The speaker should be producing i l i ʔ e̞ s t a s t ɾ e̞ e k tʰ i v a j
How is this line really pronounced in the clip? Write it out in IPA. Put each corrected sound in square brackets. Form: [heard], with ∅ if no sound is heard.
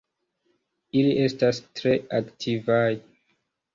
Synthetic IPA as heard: i l i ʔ e̞ s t a s t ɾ e̞ [a] k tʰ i v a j